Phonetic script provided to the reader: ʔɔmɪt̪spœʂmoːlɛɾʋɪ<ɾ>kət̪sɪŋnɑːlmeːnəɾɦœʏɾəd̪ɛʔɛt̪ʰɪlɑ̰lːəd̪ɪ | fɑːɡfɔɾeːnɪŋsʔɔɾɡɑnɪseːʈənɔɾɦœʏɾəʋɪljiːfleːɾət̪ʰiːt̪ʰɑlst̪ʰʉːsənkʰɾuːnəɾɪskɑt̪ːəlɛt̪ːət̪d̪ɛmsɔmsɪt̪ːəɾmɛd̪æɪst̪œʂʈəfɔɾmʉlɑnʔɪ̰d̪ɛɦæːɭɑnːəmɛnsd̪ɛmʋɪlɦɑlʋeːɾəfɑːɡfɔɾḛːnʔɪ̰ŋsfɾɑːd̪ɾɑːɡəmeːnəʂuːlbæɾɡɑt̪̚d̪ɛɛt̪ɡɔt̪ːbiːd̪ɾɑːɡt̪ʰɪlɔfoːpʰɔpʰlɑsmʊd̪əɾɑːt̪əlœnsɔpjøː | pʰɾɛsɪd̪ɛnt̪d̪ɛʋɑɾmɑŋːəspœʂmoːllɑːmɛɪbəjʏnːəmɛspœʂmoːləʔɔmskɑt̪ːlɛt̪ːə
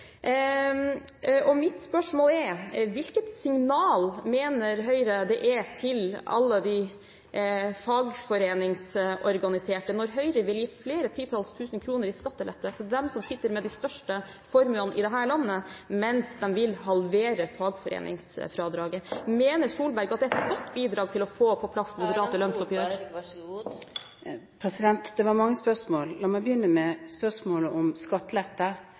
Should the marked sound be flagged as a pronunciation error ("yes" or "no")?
yes